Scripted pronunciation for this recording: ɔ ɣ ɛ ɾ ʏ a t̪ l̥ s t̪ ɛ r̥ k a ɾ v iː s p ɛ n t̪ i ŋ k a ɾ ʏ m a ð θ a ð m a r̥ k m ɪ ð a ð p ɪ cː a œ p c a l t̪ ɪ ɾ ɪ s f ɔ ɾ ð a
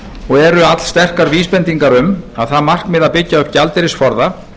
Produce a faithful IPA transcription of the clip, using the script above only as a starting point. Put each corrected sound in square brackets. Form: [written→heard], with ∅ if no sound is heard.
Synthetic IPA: ɔ ɣ ɛ ɾ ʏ a t̪ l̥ s t̪ ɛ r̥ k a ɾ v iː s p ɛ n t̪ i ŋ k a ɾ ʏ m a ð θ a ð m a r̥ k m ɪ ð a ð p ɪ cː a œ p c a l t̪ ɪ ɾ ɪ s f ɔ ɾ ð a